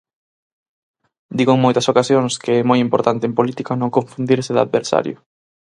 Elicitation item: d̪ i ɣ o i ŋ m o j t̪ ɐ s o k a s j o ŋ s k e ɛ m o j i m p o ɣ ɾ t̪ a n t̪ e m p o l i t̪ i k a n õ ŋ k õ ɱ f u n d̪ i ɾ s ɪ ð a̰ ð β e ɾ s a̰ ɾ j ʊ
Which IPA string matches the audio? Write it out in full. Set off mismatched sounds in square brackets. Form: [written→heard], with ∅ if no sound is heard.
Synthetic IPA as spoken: d̪ i ɣ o [i→e] ŋ m o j t̪ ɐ s o k a s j o ŋ s k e ɛ m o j i m p o [ɣ→∅] ɾ t̪ a n t̪ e m p o l i t̪ i k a n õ ŋ k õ ɱ f u n d̪ i ɾ s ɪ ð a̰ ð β e ɾ s a̰ ɾ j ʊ